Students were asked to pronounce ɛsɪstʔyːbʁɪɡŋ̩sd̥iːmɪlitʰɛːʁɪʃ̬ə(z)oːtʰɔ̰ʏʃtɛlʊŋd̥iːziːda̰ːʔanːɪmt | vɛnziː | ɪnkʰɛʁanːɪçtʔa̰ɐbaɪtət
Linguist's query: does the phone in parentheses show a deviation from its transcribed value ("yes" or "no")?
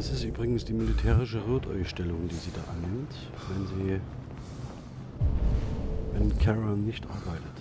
yes